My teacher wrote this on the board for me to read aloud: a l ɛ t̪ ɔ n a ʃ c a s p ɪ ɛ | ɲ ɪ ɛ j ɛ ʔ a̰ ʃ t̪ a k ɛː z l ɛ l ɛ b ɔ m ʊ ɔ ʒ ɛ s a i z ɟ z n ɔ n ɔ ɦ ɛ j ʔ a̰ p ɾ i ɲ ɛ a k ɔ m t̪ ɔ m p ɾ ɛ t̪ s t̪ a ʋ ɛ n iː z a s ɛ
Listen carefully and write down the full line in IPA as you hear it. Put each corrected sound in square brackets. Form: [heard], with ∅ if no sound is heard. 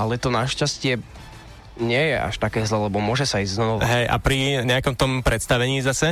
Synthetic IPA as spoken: a l ɛ t̪ ɔ n a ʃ c a s [c] ɪ ɛ | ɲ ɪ ɛ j ɛ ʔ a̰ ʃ t̪ a k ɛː z l ɛ l ɛ b ɔ m ʊ ɔ ʒ ɛ s a i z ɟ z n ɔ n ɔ ɦ ɛ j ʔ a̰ p ɾ i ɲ ɛ a k ɔ m t̪ ɔ m p ɾ ɛ t̪ s t̪ a ʋ ɛ [ɲ] iː z a s ɛ